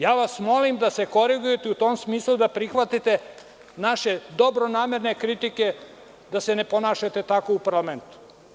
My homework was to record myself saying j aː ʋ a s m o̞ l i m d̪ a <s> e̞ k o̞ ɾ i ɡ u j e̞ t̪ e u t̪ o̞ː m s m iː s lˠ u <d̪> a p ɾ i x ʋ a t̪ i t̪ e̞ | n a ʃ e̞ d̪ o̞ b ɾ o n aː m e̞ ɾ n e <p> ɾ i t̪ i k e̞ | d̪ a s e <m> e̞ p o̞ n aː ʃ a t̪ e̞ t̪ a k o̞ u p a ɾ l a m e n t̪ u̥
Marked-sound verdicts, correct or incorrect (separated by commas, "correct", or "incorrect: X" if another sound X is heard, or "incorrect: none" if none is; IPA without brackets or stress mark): correct, correct, incorrect: k, incorrect: n